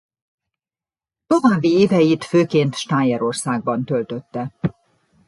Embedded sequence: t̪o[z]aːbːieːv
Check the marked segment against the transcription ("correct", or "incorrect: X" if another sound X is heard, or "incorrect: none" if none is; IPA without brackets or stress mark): incorrect: v